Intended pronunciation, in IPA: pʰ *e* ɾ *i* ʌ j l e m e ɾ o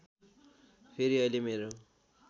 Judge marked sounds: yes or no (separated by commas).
yes, yes